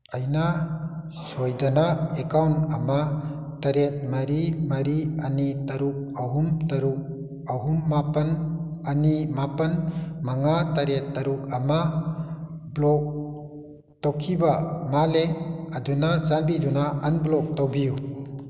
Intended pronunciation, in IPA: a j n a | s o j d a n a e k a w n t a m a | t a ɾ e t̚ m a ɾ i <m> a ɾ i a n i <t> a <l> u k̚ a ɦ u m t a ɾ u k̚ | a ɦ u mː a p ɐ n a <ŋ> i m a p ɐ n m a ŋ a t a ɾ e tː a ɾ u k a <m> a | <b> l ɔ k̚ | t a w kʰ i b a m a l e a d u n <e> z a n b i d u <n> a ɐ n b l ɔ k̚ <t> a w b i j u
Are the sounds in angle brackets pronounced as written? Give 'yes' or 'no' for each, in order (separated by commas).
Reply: yes, yes, no, no, yes, yes, no, yes, yes